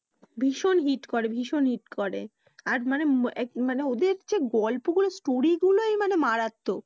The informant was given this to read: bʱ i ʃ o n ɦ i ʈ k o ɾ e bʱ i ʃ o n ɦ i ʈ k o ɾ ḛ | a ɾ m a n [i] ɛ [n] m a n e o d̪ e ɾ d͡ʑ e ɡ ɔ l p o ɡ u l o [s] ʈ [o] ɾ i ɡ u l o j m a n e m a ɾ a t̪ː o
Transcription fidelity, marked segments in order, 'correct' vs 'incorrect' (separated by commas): incorrect, incorrect, correct, correct